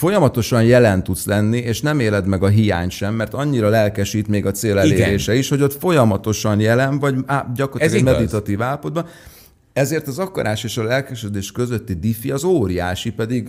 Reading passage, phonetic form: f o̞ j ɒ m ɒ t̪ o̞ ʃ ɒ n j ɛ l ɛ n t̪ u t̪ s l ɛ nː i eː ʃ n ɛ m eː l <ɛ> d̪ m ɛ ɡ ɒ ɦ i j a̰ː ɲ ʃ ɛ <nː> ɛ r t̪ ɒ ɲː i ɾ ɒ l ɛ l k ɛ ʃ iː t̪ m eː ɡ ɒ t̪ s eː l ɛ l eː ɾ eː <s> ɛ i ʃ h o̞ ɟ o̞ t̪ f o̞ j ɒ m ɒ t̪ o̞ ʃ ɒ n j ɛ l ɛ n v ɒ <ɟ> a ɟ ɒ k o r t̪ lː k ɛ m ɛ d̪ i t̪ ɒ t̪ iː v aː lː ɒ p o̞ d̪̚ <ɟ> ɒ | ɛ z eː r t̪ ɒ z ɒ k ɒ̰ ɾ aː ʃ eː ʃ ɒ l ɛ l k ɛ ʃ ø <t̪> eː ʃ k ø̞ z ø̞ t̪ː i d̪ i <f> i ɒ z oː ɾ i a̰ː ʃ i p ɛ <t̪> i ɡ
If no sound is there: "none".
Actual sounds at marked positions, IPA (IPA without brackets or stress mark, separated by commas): ɛ, mː, ʃ, ɟ, b, d̪, f, d̪